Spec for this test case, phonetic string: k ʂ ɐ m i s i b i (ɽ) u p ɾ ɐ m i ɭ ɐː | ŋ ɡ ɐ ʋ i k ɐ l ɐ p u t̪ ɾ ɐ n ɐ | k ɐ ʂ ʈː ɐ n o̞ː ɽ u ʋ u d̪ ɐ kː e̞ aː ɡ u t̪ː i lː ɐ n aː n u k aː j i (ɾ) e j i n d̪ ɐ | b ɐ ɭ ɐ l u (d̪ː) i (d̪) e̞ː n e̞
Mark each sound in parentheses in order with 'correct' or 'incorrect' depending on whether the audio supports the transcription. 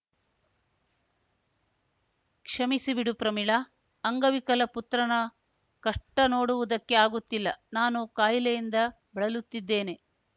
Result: correct, incorrect, incorrect, incorrect

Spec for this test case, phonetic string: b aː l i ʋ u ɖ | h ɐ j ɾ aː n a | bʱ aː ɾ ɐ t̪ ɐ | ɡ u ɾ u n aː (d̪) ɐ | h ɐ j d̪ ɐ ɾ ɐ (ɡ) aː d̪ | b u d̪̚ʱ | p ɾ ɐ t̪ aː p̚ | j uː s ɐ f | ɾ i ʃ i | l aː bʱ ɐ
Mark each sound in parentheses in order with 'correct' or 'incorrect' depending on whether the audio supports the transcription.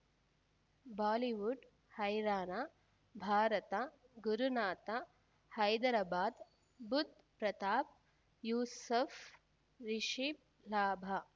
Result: incorrect, incorrect

